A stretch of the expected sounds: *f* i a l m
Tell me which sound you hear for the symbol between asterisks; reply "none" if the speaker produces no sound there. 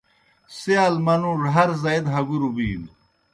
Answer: s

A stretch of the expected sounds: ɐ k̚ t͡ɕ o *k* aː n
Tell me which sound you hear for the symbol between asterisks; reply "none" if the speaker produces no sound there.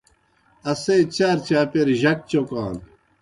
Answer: k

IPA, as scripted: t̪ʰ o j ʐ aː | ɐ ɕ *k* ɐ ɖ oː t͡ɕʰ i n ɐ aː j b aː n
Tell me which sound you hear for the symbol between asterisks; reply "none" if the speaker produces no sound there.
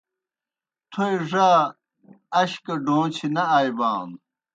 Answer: k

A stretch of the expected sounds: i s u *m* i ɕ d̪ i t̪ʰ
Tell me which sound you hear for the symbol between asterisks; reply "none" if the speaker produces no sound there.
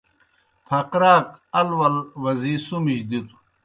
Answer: m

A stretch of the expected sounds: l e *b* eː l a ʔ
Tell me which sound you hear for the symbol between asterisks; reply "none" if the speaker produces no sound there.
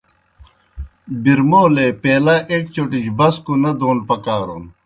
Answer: p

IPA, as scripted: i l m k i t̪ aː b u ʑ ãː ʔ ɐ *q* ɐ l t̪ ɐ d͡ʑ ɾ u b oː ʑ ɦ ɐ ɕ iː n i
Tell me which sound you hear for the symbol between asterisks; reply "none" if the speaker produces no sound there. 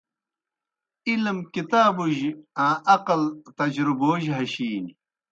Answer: q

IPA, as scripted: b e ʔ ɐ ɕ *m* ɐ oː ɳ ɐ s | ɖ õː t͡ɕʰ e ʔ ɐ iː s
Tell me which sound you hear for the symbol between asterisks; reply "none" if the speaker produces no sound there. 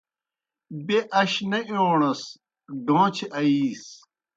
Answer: n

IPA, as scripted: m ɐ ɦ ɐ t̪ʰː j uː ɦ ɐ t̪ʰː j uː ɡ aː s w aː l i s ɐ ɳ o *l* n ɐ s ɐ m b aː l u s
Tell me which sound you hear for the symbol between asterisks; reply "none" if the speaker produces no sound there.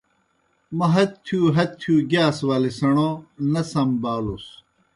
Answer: none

